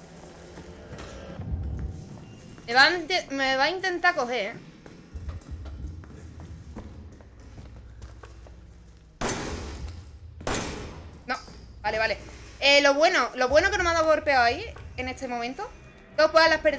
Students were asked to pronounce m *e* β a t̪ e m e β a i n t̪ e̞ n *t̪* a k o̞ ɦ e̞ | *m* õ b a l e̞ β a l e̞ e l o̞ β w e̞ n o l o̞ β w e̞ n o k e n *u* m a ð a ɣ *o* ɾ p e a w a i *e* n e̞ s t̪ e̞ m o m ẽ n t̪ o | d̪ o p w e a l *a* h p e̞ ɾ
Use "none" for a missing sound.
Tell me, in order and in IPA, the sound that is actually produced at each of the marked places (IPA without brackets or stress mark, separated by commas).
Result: e, t̪, n, o, o, e, a